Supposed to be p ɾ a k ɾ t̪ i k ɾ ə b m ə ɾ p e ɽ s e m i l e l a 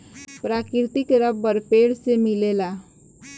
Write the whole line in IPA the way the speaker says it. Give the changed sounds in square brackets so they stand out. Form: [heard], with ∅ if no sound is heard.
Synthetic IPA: p ɾ a k ɾ t̪ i k ɾ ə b [b] ə ɾ p e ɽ s e m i l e l a